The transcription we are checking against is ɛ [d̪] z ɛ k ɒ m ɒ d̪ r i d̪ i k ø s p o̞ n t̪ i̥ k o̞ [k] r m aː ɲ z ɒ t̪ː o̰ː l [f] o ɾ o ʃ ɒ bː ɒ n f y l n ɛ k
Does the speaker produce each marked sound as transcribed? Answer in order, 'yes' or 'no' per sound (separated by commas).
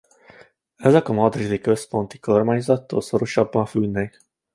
no, no, no